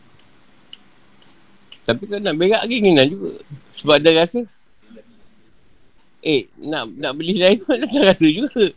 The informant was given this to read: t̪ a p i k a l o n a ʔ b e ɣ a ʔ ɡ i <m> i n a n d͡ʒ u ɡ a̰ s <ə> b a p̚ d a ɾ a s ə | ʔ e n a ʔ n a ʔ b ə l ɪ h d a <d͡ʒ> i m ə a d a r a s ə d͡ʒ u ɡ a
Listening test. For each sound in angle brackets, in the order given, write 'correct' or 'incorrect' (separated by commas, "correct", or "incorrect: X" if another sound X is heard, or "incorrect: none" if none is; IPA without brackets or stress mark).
incorrect: ŋ, correct, incorrect: none